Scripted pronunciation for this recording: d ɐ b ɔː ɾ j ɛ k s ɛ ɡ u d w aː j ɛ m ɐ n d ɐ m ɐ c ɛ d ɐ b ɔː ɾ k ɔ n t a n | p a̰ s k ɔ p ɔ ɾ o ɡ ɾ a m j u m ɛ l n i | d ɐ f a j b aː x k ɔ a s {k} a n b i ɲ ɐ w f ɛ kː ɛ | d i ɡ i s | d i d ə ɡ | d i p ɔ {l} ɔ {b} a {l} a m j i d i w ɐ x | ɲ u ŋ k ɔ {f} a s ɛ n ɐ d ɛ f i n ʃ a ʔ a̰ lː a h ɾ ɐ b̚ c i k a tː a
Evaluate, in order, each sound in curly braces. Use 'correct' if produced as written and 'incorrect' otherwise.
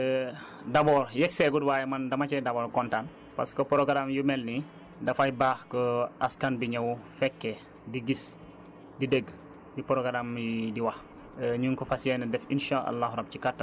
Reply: correct, incorrect: ɾ, incorrect: ɡ, incorrect: ɾ, correct

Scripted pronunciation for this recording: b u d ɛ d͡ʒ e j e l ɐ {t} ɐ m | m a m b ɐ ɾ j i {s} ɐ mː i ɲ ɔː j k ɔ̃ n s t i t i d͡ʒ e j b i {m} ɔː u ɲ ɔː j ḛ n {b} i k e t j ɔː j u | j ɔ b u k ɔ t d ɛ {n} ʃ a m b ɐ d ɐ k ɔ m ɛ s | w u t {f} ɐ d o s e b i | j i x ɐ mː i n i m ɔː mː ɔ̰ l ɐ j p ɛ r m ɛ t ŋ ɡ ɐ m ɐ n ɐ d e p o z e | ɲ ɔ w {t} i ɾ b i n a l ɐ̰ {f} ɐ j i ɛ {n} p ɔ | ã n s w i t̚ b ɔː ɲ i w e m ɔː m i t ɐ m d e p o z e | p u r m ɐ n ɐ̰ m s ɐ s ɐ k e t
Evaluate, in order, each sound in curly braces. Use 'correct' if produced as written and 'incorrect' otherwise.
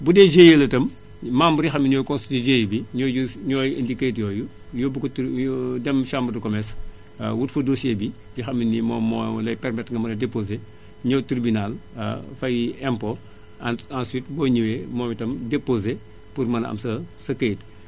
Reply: correct, incorrect: x, incorrect: ɲ, incorrect: d, incorrect: m, correct, correct, correct, incorrect: m

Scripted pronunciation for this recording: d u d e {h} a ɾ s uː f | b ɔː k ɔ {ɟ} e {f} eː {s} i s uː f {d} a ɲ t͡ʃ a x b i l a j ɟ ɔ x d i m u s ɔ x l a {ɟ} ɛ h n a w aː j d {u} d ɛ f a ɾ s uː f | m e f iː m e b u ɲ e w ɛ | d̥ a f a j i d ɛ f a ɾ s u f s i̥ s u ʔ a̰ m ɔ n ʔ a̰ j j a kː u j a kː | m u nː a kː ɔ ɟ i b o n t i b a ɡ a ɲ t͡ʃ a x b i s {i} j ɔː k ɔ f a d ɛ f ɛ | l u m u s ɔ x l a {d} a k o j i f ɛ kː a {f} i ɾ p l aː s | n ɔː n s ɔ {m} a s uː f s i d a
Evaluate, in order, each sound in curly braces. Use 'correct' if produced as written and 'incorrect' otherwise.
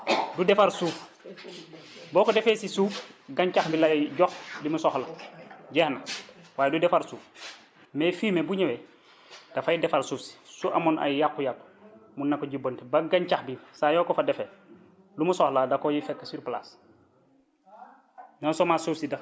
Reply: incorrect: f, incorrect: d, correct, correct, incorrect: ɡ, correct, correct, incorrect: a, correct, incorrect: s, correct

